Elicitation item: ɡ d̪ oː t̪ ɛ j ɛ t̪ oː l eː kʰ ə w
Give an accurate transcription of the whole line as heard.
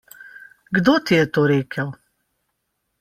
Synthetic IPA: ɡ d̪ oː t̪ i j ɛ t̪ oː ɾ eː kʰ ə w